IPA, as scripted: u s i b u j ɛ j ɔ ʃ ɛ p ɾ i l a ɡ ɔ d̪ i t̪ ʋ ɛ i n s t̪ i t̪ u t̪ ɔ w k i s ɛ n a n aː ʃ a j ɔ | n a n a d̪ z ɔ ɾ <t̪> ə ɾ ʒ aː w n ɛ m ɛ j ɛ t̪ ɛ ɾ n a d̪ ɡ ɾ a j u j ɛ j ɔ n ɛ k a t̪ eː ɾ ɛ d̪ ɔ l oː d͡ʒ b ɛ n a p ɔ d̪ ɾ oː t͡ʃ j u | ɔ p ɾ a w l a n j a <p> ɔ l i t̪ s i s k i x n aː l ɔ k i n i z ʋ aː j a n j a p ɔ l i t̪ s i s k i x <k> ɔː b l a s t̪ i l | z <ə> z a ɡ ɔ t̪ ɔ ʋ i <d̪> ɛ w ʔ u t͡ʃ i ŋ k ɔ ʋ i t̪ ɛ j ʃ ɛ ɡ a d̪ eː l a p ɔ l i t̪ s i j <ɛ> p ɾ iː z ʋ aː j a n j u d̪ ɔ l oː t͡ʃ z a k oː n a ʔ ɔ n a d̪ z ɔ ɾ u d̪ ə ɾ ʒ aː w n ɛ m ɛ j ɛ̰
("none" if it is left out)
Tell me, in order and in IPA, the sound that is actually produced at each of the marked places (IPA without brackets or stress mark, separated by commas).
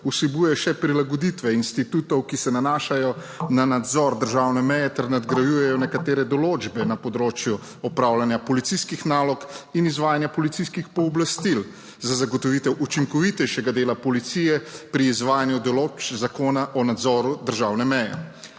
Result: d̪, p, p, a, t̪, ɛ